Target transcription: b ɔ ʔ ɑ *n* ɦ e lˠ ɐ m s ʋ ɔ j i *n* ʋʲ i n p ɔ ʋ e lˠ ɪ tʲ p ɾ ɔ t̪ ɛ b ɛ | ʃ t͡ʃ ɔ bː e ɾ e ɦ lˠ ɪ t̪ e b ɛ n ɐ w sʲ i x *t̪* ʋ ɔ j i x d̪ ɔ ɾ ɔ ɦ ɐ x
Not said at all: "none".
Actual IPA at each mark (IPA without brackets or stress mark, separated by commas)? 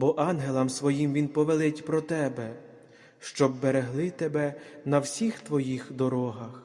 n, m, t̪